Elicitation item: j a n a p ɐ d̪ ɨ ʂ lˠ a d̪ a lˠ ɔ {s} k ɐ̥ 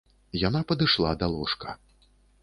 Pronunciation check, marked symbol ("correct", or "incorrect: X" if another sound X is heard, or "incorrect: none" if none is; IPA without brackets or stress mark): incorrect: ʂ